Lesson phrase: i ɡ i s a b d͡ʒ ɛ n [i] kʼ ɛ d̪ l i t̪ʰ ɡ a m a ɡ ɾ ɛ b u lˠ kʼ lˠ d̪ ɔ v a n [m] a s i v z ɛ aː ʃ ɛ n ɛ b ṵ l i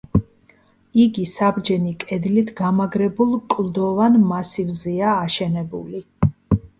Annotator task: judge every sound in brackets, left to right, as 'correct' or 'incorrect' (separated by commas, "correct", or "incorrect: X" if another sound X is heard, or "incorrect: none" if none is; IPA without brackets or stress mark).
correct, correct